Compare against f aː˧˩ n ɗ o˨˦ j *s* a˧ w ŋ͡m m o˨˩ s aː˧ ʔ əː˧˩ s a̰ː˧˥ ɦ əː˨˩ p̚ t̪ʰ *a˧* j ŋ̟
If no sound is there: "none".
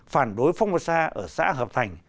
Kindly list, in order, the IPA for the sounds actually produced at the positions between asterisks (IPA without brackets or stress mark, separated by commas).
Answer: f, a˨˩